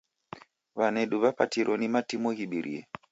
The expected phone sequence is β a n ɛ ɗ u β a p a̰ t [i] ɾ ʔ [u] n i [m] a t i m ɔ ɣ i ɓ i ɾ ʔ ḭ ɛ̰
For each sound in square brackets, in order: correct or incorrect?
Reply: correct, incorrect: ɔ, correct

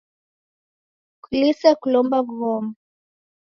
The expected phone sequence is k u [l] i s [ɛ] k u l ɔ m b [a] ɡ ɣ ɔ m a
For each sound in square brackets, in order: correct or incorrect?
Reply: correct, incorrect: a, correct

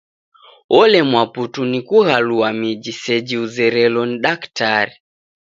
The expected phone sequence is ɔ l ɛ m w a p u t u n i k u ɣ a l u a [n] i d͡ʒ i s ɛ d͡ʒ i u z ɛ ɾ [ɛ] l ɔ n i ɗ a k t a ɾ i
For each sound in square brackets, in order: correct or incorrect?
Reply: incorrect: m, correct

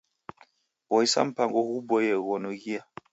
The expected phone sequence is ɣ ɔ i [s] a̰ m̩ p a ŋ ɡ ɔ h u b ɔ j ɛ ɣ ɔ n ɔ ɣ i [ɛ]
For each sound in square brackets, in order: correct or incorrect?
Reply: correct, incorrect: a

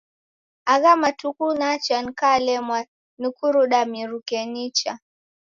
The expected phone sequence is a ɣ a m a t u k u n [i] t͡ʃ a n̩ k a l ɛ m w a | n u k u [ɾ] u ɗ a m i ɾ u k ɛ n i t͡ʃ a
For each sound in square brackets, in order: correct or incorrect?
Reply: incorrect: a, correct

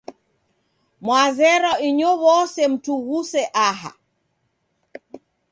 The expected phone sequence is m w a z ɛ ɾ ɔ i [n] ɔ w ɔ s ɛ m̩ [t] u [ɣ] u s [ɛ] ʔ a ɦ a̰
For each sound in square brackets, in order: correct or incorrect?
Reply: incorrect: ɲ, correct, correct, correct

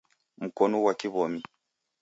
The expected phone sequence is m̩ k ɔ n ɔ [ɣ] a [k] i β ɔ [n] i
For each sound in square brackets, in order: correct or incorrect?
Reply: incorrect: w, correct, incorrect: m

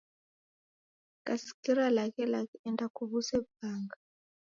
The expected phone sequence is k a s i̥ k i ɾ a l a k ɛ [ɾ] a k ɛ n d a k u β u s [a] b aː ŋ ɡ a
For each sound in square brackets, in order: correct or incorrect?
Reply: incorrect: l, incorrect: ɛ

